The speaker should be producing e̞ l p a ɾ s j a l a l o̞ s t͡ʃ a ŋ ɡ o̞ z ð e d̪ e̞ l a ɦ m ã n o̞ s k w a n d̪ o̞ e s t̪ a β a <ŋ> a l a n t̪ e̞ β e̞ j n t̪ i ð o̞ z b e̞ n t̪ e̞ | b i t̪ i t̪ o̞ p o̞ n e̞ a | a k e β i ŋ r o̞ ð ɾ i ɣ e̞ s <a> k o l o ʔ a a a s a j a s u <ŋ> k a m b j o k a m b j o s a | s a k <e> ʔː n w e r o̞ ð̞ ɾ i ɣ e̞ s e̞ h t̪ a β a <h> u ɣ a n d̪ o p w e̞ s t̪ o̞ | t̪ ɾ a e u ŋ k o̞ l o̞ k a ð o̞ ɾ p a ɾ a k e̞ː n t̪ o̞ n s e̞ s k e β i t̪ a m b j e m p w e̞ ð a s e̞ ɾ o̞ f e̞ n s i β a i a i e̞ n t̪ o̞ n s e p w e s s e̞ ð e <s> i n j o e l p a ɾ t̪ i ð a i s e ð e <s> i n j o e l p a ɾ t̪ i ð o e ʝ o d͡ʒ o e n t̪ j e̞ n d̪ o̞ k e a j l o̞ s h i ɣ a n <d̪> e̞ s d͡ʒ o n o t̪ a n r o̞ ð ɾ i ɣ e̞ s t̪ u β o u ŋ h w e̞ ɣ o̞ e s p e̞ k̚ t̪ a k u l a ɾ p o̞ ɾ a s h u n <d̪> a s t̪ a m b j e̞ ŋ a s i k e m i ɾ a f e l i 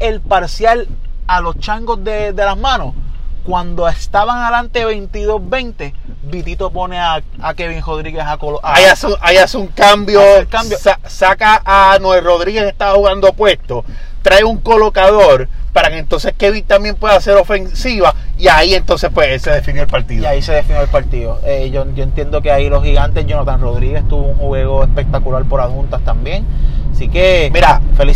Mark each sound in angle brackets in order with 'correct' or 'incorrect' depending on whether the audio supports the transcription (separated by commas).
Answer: correct, correct, correct, incorrect, correct, incorrect, incorrect, incorrect, incorrect